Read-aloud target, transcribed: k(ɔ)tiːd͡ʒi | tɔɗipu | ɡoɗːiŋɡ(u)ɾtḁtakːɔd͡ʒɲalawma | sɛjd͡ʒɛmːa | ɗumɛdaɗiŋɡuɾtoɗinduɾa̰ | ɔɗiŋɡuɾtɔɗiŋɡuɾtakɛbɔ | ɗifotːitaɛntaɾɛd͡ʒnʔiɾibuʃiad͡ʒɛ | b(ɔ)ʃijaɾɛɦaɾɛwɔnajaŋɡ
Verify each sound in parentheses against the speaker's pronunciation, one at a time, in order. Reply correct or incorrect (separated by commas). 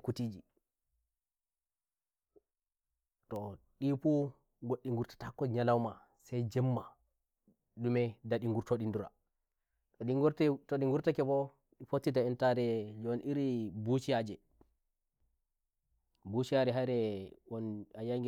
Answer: incorrect, correct, incorrect